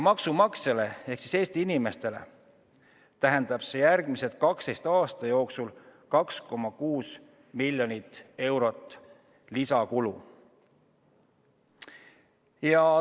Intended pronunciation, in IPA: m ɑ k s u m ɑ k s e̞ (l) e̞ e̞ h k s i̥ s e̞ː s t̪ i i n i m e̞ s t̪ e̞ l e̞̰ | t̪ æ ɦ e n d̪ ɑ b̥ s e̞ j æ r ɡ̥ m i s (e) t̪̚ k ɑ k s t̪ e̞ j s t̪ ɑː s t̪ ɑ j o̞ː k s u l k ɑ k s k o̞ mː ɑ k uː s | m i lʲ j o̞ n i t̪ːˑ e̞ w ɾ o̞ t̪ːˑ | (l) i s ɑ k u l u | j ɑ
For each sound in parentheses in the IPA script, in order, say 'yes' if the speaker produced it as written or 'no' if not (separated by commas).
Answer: yes, yes, yes